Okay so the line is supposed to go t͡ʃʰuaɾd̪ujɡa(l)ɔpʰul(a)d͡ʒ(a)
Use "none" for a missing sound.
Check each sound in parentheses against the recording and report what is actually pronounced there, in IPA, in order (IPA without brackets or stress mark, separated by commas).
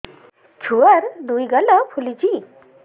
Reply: l, i, i